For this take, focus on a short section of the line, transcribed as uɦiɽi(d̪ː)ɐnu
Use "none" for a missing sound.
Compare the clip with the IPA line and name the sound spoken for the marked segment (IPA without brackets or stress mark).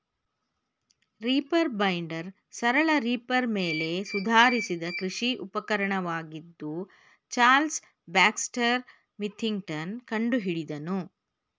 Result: d̪